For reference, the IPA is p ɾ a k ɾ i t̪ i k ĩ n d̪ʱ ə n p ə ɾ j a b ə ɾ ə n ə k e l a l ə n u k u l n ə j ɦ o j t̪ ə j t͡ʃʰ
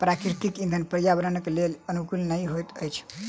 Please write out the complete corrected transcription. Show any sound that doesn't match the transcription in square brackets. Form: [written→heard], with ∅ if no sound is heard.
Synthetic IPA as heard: p ɾ a k ɾ i t̪ i k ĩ n d̪ʱ ə n p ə ɾ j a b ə ɾ ə n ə k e l [a→e] l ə n u k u l n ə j ɦ o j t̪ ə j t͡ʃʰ